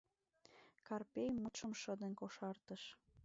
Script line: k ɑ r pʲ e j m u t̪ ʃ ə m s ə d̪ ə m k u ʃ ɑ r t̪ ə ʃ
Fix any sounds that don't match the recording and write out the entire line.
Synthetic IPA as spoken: k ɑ r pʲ e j m u t̪ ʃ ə m ʃ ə d̪ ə n k o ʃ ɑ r t̪ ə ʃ

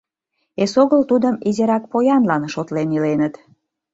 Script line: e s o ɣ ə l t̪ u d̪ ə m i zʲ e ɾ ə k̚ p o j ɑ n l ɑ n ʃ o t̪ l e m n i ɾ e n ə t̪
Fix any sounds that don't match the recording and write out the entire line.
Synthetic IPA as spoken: e s o ɣ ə l t̪ u d̪ ə m i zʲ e ɾ ɑ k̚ p o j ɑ n l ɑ n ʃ o t̪ l e n i l e n ə t̪

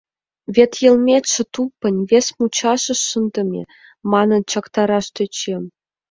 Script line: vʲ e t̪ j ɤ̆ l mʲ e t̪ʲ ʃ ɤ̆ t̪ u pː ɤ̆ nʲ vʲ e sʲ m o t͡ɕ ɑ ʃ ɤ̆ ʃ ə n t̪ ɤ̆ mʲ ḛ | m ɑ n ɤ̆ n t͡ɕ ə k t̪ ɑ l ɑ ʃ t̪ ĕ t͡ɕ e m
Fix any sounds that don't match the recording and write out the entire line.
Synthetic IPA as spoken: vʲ e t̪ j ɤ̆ l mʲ e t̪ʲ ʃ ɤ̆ t̪ u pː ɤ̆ nʲ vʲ e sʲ m u t͡ɕ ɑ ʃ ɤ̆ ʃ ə n d̪ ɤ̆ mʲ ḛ | m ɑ n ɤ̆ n t͡ɕ ɑ k t̪ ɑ ɾ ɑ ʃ t̪ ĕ t͡ɕ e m

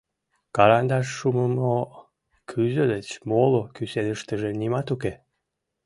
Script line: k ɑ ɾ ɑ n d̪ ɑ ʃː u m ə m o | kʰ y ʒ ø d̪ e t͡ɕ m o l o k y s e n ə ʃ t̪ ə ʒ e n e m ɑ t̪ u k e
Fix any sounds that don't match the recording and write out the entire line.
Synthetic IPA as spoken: k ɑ ɾ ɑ n d̪ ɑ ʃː u m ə m o | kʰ y z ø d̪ e t͡ɕ m o l o k y s e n ə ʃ t̪ ə ʒ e n i m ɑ t̪ u k e

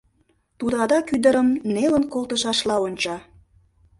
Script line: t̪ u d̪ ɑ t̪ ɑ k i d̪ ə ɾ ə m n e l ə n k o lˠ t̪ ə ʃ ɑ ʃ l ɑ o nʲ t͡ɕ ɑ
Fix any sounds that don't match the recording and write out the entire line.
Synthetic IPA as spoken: t̪ u d̪ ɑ d̪ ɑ k y d̪ ə ɾ ə m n e l ə n k o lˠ t̪ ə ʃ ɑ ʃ l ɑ o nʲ t͡ɕ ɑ

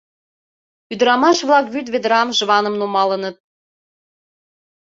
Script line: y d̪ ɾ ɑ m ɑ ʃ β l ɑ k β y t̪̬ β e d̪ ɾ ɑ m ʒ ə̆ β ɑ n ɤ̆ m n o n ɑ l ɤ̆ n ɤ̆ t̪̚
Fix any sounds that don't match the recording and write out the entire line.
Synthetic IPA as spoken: y d̪ ɾ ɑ m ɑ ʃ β l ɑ k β y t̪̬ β e d̪ ɾ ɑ m ʒ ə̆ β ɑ n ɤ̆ m n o m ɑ l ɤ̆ n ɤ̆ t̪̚

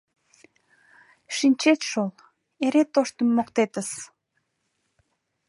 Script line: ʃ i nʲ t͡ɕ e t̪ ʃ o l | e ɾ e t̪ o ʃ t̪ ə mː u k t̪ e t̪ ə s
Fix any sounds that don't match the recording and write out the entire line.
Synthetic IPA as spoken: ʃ i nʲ t͡ɕ e t̪ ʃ o l | e ɾ e t̪ o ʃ t̪ ə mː o k t̪ e t̪ ə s

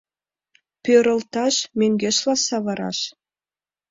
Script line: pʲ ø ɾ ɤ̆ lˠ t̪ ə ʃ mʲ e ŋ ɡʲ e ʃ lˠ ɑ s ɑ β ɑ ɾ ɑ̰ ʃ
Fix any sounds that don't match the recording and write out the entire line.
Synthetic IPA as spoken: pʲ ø ɾ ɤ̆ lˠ t̪ ɑ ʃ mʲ e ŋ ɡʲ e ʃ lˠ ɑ s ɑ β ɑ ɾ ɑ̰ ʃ

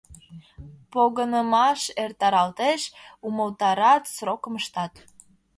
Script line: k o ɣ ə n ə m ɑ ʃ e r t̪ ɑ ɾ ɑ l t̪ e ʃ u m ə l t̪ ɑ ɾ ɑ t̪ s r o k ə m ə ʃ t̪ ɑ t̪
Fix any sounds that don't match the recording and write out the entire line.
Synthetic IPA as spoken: p o ɣ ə n ə m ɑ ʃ e r t̪ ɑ ɾ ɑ l t̪ e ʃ u m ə l t̪ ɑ ɾ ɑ t̪ s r o k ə m ə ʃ t̪ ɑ t̪

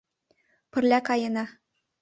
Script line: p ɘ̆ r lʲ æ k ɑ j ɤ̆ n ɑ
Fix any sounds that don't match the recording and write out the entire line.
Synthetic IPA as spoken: p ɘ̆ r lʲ æ k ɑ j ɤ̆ n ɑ

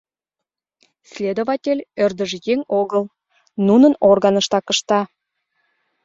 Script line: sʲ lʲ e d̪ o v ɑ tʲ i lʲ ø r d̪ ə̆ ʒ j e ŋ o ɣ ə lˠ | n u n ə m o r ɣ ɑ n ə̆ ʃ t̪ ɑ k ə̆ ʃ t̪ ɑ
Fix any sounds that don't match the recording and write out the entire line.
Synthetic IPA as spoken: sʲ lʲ e d̪ o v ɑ tʲ e lʲ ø r d̪ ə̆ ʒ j e ŋ o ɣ ə lˠ | n u n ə n o r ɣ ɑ n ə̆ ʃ t̪ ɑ k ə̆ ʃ t̪ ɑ

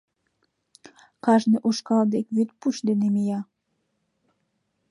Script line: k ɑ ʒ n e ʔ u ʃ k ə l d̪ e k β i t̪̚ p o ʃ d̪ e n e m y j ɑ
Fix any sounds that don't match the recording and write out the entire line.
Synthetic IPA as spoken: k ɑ ʒ n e ʔ u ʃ k ɑ l d̪ e k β y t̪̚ p u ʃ d̪ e n e m i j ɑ

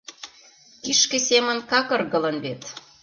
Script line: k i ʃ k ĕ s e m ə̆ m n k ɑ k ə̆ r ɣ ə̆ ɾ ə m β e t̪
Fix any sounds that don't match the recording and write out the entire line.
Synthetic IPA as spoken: k i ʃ k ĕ s e m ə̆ n k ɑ k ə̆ r ɣ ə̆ l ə n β e t̪

